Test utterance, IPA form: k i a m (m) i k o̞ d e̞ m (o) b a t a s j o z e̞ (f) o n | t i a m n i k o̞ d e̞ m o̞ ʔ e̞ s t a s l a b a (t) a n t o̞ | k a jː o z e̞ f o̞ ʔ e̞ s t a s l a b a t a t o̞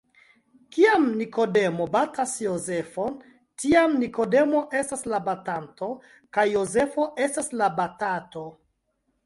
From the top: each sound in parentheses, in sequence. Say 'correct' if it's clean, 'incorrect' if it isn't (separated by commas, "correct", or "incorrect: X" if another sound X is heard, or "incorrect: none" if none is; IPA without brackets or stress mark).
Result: incorrect: n, correct, correct, correct